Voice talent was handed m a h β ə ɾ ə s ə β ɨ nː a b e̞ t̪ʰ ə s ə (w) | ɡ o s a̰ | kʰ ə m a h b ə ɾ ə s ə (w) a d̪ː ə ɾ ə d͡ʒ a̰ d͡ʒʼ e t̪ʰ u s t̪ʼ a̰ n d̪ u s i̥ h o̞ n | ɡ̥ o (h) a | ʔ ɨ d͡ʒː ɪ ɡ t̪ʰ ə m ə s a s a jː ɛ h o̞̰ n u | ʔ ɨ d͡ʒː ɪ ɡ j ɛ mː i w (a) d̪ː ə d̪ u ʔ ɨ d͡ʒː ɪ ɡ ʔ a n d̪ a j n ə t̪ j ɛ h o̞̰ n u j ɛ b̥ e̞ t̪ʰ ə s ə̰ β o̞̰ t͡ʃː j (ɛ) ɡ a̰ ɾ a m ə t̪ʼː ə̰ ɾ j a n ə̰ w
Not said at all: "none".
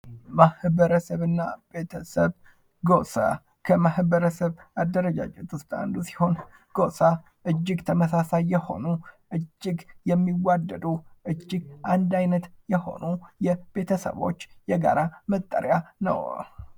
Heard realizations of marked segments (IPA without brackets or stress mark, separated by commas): β, β, s, a, ɛ